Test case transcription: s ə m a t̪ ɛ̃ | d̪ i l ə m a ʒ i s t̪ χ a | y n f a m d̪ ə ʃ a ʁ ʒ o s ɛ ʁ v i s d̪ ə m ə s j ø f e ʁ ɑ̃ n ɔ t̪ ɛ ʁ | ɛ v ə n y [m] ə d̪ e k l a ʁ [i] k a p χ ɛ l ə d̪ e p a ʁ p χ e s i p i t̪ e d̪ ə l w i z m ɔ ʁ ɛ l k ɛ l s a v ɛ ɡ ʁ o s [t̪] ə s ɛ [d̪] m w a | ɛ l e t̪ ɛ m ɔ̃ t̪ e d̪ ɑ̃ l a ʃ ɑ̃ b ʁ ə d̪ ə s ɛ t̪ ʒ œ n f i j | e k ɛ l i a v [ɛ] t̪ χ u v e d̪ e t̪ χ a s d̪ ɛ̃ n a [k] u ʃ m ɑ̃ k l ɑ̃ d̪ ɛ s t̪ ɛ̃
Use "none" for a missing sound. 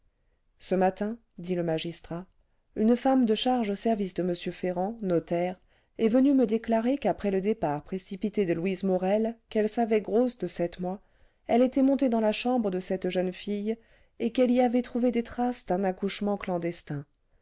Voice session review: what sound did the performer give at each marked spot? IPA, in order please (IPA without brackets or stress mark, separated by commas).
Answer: m, e, d̪, t̪, ɛ, k